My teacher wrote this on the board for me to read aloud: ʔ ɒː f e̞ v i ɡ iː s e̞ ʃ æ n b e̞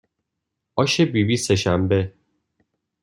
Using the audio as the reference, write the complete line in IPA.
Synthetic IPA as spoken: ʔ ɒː ʃ e̞ b i b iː s e̞ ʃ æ m b e̞